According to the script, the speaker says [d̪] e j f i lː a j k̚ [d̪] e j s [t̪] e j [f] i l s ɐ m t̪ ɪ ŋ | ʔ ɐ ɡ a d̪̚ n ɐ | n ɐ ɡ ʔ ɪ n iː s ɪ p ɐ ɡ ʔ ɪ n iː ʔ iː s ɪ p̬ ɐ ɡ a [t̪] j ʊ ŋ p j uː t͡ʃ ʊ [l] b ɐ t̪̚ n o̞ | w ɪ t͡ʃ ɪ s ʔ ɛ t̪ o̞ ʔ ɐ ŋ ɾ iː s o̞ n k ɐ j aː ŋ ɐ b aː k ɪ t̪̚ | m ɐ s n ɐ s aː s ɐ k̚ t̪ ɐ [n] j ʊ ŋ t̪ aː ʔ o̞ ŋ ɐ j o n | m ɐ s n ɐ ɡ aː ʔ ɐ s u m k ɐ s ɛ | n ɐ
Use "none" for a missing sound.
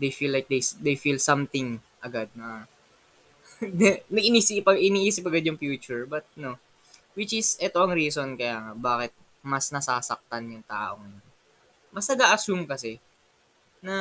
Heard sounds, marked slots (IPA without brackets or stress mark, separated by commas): d̪, d̪, d̪, f, d̪, ɹ, n